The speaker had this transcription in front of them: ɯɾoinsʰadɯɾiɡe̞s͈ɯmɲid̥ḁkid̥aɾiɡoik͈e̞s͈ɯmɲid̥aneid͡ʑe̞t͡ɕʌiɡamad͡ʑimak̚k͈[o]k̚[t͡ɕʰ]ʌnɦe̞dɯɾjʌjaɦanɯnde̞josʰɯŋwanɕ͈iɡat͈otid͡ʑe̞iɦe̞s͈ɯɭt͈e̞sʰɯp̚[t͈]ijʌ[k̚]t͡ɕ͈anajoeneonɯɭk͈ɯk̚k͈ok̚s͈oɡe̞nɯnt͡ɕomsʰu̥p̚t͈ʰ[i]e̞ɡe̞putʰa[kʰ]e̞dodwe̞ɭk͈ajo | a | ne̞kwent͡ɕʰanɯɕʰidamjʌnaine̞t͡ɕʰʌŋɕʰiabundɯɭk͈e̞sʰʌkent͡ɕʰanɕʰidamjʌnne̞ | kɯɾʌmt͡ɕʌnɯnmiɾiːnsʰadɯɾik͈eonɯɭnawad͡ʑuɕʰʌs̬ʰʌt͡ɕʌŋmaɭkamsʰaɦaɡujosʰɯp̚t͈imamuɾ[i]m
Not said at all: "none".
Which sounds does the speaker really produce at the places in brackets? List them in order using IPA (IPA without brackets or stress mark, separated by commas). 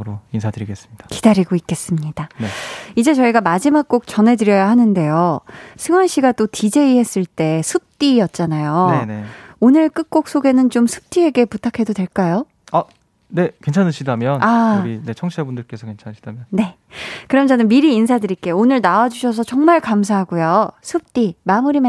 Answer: o, t͡ɕ, t͈, t̚, i, kʰ, i